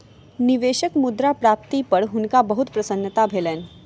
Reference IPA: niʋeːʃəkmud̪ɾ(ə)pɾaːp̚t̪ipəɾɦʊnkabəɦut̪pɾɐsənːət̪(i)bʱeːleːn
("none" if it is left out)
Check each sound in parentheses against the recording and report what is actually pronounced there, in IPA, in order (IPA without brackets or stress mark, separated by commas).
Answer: a, a